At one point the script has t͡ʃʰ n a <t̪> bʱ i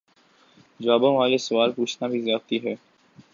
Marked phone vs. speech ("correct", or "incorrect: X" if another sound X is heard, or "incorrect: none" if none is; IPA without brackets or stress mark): incorrect: none